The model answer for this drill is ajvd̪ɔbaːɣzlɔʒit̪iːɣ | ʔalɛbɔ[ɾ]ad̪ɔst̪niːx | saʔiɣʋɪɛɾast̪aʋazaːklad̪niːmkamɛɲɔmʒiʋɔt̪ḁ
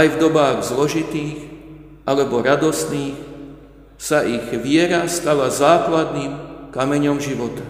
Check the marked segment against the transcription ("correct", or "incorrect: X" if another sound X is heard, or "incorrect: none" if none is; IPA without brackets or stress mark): correct